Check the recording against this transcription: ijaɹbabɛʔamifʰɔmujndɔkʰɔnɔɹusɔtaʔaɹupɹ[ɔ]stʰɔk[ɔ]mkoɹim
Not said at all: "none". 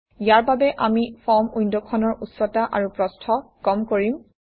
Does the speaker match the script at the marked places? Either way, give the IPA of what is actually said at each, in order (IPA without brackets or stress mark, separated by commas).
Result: ɔ, ɔ